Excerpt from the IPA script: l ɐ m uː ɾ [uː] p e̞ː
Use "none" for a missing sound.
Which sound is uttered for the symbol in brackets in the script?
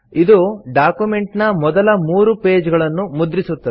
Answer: u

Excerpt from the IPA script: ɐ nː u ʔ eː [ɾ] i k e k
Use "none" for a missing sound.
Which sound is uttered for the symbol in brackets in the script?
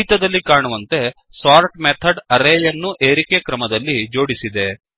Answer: ɾ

